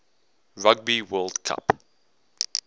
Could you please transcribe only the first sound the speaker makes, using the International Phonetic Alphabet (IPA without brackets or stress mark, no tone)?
ɹ